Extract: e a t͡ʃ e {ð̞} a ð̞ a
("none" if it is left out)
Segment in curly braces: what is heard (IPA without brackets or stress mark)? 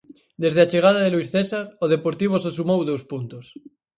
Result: ɣ̞